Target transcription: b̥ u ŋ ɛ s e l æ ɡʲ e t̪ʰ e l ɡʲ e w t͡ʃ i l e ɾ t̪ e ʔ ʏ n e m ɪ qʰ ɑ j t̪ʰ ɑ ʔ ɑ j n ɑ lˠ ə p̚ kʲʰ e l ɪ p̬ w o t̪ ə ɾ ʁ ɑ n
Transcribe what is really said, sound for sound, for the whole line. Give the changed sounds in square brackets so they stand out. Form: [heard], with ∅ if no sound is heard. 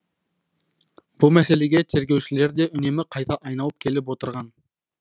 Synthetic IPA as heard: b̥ u [m] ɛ s e l [e] ɡʲ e t̪ʰ e [ɾ] ɡʲ e w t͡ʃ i l e ɾ [d̪] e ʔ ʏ n e m ɪ qʰ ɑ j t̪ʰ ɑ ʔ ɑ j n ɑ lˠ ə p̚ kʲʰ e l ɪ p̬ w o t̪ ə ɾ ʁ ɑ n